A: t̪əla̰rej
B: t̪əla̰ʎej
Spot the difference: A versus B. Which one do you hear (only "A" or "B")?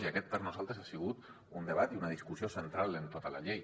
B